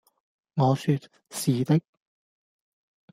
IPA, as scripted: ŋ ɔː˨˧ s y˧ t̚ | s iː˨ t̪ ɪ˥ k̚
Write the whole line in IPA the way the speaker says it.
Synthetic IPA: ŋ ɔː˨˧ s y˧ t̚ | s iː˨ t̪ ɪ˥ k̚